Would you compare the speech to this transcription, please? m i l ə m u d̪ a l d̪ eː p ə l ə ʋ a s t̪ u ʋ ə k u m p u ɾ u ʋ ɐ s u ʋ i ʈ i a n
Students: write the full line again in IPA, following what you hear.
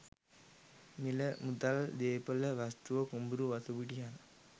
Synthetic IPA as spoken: m i l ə m u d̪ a l d̪ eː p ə l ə ʋ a s t̪ u ʋ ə k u m b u ɾ u ʋ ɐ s u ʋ i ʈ i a n

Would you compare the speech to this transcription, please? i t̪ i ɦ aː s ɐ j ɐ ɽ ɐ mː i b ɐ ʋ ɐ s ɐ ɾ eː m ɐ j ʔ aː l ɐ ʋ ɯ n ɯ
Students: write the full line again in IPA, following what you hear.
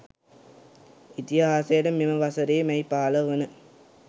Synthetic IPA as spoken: i t̪ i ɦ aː s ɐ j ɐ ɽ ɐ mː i m ɐ ʋ ɐ s ɐ ɾ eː m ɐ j p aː l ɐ ʋ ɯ n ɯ

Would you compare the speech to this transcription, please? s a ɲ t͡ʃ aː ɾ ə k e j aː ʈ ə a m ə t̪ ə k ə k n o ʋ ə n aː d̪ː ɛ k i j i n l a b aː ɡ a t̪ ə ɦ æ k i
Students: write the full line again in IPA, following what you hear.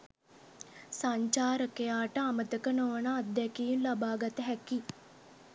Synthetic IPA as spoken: s a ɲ t͡ʃ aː ɾ ə k e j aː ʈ ə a m ə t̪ ə k ə n o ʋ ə n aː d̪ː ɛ k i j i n l a b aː ɡ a t̪ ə ɦ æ k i

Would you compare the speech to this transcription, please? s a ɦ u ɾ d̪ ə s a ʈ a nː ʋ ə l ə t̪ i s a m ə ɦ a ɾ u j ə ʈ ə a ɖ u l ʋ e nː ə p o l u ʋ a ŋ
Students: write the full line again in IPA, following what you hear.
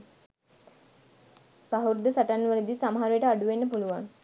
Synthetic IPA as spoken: s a ɦ u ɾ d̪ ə s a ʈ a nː ʋ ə l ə d̪ i s a m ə ɦ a ɾ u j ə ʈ ə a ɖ u ʋ e nː ə p u l u ʋ a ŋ

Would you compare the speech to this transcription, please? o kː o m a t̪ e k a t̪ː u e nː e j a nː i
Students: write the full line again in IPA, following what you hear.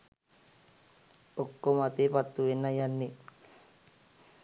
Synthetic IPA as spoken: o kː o m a t̪ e p a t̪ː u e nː a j a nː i

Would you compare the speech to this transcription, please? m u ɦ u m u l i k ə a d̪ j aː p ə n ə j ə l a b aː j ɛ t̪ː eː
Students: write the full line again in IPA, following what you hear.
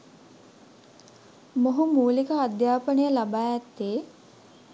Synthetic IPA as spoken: m o ɦ u m uː l i k ə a d̪ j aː p ə n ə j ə l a b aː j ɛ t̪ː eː

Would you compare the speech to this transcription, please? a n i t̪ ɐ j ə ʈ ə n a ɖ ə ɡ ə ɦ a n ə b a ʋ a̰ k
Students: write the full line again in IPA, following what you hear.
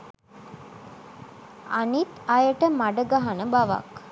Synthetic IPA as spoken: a n i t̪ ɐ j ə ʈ ə m a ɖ ə ɡ a ɦ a n ə b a ʋ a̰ k

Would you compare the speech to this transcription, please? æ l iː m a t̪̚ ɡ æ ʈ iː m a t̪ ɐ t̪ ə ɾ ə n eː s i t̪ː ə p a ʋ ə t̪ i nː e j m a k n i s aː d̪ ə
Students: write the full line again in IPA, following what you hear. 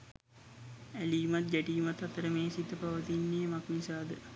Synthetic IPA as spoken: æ l iː m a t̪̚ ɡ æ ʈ iː m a t̪ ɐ t̪ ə ɾ ə m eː s i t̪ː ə p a ʋ ə t̪ i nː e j m a k n i s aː d̪ ə

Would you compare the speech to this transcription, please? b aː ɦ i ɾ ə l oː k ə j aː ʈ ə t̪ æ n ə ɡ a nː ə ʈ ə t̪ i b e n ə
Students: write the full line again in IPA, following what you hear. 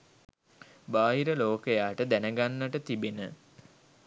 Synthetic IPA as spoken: b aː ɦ i ɾ ə l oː k ə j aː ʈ ə d̪ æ n ə ɡ a nː ə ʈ ə t̪ i b e n ə

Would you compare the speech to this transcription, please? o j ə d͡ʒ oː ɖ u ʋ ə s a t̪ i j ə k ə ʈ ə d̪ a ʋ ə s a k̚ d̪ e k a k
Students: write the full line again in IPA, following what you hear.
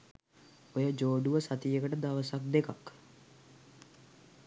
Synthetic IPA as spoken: o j ə d͡ʒ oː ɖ u ʋ ə s a t̪ i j ə k ə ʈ ə d̪ a ʋ ə s a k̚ d̪ e k a k

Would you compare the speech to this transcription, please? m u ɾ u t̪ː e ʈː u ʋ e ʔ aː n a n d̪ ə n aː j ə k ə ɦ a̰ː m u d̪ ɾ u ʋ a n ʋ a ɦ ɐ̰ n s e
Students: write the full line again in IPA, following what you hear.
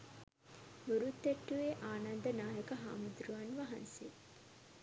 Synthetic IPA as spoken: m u ɾ u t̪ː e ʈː u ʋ e ʔ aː n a n d̪ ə n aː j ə k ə ɦ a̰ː m u d̪ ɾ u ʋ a n ʋ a ɦ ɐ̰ n s e

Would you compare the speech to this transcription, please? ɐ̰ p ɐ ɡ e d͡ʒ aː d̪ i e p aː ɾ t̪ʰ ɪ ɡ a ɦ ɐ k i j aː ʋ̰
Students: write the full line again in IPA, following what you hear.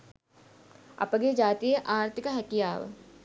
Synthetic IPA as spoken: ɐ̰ p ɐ ɡ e d͡ʒ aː t̪ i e ʔ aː ɾ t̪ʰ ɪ k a ɦ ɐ k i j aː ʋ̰

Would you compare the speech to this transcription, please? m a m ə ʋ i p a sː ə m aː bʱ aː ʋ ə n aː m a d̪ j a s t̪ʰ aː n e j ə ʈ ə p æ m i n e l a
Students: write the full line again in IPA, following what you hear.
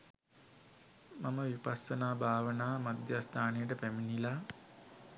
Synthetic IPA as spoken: m a m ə ʋ i p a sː ə n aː bʱ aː ʋ ə n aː m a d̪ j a s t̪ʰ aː n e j ə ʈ ə p æ m i n i l a

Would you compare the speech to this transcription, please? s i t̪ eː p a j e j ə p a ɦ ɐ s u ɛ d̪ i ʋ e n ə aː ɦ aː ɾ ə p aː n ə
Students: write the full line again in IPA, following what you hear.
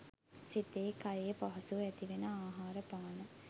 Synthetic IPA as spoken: s i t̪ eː k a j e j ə p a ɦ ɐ s u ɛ t̪ i ʋ e n ə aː ɦ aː ɾ ə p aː n ə

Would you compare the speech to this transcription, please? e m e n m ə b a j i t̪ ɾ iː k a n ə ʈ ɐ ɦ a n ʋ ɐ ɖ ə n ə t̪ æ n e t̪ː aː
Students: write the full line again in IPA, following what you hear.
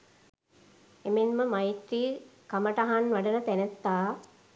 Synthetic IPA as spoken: e m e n m ə m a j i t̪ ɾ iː k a m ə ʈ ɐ ɦ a n ʋ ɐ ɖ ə n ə t̪ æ n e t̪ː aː

